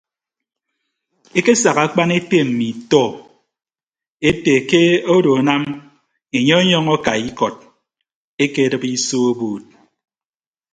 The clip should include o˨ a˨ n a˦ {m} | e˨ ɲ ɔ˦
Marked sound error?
no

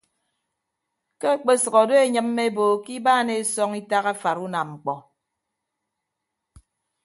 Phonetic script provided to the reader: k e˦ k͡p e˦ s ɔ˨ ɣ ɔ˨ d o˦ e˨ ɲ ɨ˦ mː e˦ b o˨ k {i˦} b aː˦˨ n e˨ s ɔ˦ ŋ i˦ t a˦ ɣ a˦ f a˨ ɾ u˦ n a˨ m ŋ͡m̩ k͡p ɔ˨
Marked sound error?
no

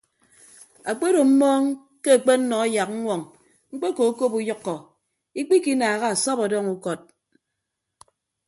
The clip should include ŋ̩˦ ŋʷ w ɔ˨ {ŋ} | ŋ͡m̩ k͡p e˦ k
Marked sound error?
no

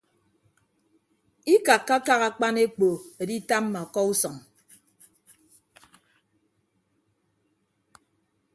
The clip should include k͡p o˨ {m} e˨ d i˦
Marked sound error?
yes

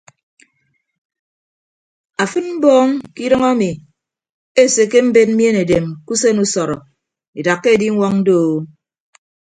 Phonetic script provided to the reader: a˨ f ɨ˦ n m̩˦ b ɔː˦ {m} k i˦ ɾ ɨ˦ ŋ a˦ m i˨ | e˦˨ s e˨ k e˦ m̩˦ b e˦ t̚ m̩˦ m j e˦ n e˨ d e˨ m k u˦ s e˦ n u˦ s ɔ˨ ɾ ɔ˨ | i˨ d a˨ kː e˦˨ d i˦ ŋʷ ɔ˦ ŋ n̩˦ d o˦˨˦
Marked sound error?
yes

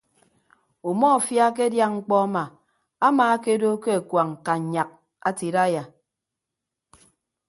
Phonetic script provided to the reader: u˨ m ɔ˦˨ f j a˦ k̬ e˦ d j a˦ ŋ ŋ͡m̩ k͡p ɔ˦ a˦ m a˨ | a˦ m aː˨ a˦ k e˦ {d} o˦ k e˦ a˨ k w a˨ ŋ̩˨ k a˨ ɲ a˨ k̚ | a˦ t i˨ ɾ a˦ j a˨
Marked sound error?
no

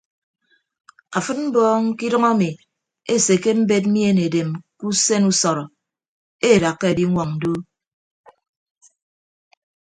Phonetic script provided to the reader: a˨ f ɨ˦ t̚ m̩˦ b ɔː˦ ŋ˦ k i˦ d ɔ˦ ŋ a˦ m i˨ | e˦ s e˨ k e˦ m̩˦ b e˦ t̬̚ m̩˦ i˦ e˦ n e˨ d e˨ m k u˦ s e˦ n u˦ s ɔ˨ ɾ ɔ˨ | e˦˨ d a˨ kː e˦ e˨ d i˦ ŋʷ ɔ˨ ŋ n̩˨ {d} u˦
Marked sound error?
no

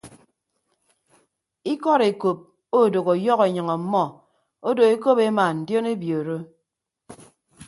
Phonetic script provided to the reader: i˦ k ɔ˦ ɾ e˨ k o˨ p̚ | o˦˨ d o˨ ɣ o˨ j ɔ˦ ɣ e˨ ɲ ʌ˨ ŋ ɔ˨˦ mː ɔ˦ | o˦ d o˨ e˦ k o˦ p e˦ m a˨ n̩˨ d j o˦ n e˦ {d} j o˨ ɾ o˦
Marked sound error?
yes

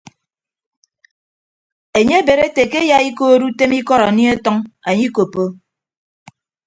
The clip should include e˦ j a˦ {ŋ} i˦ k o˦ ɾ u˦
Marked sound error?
yes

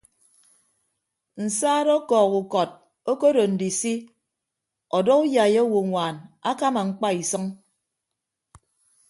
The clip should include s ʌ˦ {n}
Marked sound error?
yes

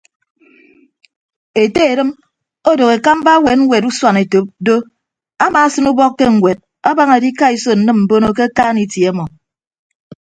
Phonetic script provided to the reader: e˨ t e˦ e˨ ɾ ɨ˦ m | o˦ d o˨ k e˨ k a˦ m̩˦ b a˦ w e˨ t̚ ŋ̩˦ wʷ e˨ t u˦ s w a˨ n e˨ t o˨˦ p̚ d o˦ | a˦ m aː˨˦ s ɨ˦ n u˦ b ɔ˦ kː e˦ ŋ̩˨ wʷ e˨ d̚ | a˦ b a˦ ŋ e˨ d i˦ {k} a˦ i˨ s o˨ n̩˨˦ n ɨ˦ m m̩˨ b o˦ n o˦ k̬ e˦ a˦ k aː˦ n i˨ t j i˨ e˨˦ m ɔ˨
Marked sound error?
no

